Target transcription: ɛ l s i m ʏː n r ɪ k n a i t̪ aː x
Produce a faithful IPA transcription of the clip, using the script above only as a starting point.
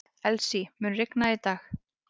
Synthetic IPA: ɛ l s i m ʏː n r ɪ k n a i t̪ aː x